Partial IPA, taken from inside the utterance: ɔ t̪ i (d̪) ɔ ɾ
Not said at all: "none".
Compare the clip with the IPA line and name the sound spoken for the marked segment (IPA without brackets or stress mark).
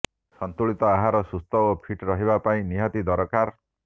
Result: d̪